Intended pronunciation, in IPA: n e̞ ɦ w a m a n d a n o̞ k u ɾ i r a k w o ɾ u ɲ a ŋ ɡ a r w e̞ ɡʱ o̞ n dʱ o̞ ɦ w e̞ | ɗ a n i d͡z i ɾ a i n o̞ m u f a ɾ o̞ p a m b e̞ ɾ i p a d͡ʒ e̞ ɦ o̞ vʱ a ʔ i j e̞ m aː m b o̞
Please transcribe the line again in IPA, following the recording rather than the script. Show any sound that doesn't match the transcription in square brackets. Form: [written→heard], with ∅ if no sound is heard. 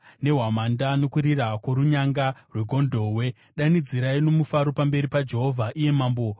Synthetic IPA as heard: n e̞ ɦ w a m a n d a n o̞ k u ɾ i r a k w o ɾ u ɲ a ŋ ɡ a r w e̞ ɡʱ o̞ n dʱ o̞ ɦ w e̞ | ɗ a n i d͡z i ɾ a i n o̞ m u f a ɾ o̞ p a m b e̞ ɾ i p a d͡ʒ e̞ ɦ o̞ vʱ a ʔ i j e̞ m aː m b o̞

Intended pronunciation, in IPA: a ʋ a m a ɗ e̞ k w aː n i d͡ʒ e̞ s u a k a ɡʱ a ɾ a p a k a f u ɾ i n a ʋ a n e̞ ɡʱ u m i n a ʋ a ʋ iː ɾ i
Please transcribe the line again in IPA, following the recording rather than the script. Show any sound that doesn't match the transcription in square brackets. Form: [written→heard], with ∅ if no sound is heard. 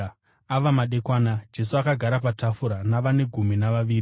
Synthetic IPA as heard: a ʋ a m a ɗ e̞ k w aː n [i→a] d͡ʒ e̞ s u a k a ɡʱ a ɾ a p a [k→t] a f u ɾ [i→a] n a ʋ a n e̞ ɡʱ u m i n a ʋ a ʋ iː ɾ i

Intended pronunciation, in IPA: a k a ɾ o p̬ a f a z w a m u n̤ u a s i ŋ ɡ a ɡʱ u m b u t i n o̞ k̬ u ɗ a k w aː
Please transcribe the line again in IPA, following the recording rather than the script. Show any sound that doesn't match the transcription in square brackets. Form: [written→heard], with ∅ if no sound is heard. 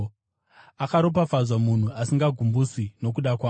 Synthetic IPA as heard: a k a ɾ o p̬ a f a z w a m u n̤ u a s i ŋ ɡ a ɡʱ u m b u [t→s] i n o̞ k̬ u ɗ a k w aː

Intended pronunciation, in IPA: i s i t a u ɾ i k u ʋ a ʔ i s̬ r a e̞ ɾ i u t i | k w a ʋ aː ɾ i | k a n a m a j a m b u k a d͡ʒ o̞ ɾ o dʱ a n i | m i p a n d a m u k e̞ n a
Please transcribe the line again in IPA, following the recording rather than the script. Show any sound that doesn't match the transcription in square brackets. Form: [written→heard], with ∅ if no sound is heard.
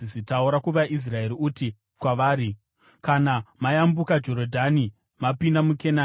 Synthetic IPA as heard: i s i t a u ɾ [i→a] k u ʋ a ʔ i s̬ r a e̞ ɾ i u t i | k w a ʋ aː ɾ i | k a n a m a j a m b u k a d͡ʒ o̞ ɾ o dʱ a n i | m [i→a] p [a→i] n d a m u k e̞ n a

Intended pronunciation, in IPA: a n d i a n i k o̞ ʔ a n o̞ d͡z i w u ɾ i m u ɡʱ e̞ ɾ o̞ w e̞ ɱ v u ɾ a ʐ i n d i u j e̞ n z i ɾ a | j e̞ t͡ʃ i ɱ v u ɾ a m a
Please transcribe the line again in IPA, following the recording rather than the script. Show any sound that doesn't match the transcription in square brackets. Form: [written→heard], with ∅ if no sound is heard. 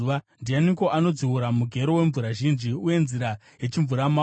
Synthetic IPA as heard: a n d i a n i k o̞ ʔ a n o̞ d͡z i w u ɾ [i→a] m u ɡʱ e̞ ɾ o̞ w e̞ ɱ v u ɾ a [ʐ→ʒ] i n [d→d͡ʒ] i u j e̞ n z i ɾ a | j e̞ t͡ʃ i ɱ v u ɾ a m a

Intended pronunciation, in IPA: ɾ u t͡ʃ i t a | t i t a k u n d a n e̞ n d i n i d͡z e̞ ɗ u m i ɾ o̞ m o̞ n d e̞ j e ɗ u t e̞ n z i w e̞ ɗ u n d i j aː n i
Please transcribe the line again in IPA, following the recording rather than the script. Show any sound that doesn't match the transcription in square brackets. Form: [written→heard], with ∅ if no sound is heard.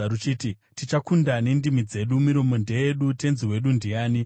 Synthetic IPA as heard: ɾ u t͡ʃ i t [a→i] | t i [t→t͡ʃ] a k u n d a n e̞ n d i [n→m] i d͡z e̞ ɗ u m i ɾ o̞ m o̞ n d e̞ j e ɗ u t e̞ n z i w e̞ ɗ u n d i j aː n i

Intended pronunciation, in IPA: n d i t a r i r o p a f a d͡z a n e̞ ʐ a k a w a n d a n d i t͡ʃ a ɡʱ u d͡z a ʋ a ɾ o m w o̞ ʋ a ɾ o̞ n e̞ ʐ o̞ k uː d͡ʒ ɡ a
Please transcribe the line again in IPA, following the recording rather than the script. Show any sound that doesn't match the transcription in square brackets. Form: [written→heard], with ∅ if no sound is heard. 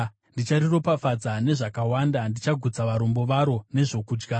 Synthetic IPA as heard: n d i [t→t͡ʃ] a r i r o p a f a d͡z a n e̞ ʐ a k a w a n d a n d i t͡ʃ a ɡʱ u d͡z a ʋ a ɾ o m [w→b] o̞ ʋ a ɾ o̞ n e̞ ʐ o̞ k uː d͡ʒ ɡ a

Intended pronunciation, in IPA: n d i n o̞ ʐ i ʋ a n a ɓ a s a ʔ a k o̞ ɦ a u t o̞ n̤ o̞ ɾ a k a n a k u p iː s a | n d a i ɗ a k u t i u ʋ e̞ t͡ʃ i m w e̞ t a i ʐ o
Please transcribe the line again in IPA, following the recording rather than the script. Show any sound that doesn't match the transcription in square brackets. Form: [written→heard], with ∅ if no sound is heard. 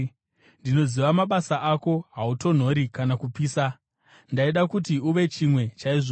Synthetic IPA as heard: n d i n o̞ [ʐ→z] i ʋ a [n→m] a ɓ a s a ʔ a k o̞ ɦ a u t o̞ n̤ o̞ ɾ [a→i] k a n a k u p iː s a | n d a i ɗ a k u t i u ʋ e̞ t͡ʃ i m w e̞ [t→t͡ʃ] a i ʐ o

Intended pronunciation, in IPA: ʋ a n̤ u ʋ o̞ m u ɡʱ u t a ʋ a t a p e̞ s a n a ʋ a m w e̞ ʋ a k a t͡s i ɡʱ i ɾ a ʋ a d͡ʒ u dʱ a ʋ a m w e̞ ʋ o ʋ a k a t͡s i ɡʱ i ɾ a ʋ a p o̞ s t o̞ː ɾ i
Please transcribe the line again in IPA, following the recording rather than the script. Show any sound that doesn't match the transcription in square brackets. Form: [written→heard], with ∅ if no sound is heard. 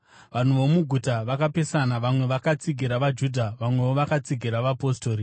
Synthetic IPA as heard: ʋ a n̤ u ʋ o̞ m u ɡʱ u t a ʋ a [t→k] a p e̞ s a n a ʋ a m w e̞ ʋ a k a t͡s i ɡʱ i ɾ a ʋ a d͡ʒ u dʱ a ʋ a m w e̞ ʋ o ʋ a k a t͡s i ɡʱ i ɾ a ʋ a p o̞ s t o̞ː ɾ i

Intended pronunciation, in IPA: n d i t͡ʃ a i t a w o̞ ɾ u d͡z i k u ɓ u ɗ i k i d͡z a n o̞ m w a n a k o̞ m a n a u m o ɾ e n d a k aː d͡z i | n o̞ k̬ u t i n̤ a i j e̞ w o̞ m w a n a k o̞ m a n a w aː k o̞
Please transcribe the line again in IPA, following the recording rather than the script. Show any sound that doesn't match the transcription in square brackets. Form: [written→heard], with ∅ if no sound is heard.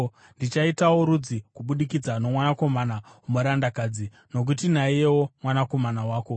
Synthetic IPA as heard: n d i t͡ʃ a i t a w o̞ ɾ u d͡z i k u ɓ u ɗ i k i d͡z a n o̞ m w a n a k o̞ m a n a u m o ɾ [e→a] n d a k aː d͡z i | n o̞ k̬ u t i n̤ a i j e̞ w o̞ m w a n a k o̞ m a n a w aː k o̞

